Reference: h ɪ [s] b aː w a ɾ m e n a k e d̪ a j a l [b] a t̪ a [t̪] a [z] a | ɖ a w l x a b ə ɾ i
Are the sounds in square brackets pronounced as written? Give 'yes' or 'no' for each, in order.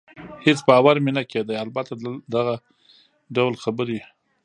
no, yes, no, no

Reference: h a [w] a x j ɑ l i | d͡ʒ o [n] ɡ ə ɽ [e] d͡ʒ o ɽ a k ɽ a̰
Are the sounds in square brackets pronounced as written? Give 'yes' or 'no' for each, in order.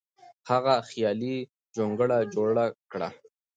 no, no, no

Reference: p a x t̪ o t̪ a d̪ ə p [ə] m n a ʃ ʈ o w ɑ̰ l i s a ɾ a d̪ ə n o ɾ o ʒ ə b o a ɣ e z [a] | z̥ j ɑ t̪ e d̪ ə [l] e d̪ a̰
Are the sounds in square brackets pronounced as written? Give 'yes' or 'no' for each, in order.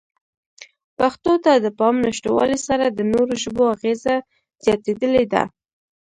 no, yes, yes

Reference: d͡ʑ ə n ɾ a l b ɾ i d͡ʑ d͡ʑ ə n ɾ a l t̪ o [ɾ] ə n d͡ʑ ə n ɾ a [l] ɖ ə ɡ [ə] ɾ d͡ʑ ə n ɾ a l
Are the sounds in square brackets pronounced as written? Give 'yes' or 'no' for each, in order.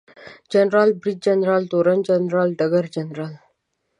yes, yes, yes

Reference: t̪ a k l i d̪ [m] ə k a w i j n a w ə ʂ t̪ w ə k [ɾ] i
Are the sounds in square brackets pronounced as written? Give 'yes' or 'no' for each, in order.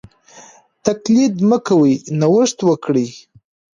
yes, no

